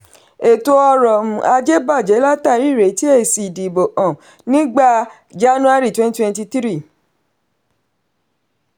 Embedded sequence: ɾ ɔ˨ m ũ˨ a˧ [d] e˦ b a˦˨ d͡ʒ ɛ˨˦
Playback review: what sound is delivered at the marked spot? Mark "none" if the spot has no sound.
d͡ʒ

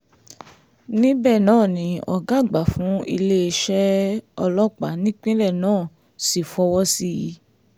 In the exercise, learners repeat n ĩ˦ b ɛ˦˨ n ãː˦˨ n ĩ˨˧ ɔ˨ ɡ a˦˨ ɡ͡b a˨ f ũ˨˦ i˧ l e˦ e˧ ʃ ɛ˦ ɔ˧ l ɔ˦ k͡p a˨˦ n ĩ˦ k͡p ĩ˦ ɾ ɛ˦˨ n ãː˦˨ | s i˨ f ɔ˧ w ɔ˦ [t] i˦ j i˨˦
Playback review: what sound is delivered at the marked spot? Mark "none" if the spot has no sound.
s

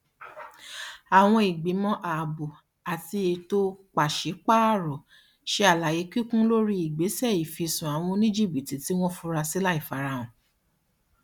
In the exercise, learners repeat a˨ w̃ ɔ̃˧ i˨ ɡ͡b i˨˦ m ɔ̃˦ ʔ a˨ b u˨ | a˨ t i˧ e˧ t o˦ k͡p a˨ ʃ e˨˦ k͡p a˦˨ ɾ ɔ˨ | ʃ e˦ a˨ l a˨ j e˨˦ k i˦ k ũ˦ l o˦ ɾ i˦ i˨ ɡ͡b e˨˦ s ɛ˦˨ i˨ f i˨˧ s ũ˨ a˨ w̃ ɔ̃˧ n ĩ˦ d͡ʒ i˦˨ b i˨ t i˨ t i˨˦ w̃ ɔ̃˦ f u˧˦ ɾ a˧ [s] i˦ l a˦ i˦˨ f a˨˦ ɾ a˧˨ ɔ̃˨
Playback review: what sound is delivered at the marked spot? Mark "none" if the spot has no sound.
s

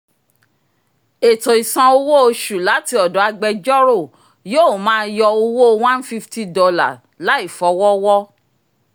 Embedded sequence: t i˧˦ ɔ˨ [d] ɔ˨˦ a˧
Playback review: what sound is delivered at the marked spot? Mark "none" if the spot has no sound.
d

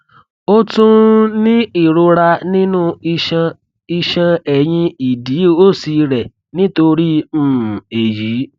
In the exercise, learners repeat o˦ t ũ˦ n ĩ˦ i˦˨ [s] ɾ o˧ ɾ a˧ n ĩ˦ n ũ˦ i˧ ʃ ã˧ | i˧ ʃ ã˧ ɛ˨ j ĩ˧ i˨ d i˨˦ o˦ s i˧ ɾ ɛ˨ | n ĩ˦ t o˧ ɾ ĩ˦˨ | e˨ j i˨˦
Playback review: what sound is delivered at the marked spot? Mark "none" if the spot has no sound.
none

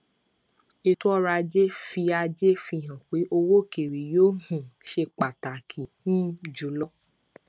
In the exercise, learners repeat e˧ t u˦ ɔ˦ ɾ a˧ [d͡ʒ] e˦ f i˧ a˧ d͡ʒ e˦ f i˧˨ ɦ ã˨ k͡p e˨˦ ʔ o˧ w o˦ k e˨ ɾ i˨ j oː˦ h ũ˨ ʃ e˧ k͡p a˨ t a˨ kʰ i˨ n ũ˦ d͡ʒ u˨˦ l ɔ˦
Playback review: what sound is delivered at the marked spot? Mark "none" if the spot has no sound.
d͡ʒ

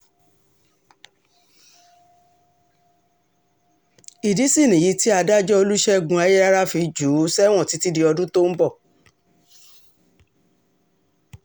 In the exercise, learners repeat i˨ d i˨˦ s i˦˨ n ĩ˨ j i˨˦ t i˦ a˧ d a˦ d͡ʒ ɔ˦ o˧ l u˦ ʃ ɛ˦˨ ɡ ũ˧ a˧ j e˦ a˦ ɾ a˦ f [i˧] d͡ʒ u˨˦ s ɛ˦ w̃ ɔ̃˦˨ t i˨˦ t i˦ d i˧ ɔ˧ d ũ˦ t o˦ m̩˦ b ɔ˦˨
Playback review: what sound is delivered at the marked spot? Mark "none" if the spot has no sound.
i˧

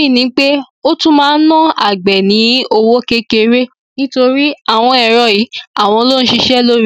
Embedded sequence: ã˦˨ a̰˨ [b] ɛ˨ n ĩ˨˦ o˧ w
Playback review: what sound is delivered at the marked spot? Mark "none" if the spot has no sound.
ɡ͡b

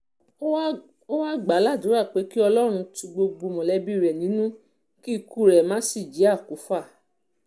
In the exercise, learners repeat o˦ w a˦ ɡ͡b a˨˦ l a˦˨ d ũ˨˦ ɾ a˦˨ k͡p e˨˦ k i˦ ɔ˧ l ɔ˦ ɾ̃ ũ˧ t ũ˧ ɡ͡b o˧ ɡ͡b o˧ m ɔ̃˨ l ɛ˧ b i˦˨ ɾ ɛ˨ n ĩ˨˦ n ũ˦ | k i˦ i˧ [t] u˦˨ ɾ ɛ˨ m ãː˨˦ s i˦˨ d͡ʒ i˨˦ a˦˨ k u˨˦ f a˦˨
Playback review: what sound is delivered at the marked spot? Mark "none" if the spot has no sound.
k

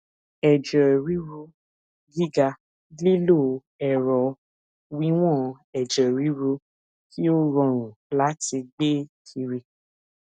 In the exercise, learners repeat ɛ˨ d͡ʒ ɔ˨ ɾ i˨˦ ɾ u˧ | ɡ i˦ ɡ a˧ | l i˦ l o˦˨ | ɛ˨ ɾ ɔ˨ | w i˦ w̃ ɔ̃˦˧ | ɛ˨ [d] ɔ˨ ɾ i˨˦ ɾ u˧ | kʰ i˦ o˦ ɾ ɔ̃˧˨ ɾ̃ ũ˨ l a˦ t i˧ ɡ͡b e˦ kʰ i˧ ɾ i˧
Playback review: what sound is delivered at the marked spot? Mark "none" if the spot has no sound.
d͡ʒ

